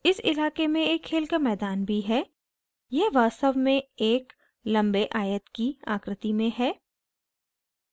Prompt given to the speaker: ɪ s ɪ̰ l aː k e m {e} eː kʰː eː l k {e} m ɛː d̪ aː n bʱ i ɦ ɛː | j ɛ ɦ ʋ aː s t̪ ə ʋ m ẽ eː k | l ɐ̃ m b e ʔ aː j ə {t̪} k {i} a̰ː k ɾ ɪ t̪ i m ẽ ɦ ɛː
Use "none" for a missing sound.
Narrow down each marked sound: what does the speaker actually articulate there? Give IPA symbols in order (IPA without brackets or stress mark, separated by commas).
ẽ, a, t̪, i